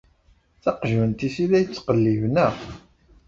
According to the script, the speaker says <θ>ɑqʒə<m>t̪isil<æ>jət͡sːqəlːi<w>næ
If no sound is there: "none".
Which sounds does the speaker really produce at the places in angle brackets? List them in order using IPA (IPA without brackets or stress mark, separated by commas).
θ, n, æ, v